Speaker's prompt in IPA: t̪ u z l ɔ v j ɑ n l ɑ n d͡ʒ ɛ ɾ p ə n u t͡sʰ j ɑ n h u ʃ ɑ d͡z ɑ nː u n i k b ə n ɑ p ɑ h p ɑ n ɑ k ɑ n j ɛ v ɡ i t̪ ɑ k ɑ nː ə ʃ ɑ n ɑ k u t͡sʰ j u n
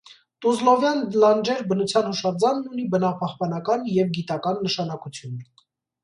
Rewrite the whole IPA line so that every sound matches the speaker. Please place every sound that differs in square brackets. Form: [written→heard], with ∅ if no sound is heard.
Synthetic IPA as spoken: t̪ u z l ɔ v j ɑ n l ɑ n d͡ʒ ɛ ɾ [p→b] ə n u t͡sʰ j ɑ n h u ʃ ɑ d͡z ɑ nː u n i [k→∅] b ə n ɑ p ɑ h p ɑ n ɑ k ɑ n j ɛ v ɡ i t̪ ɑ k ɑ nː ə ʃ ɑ n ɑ k u t͡sʰ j u n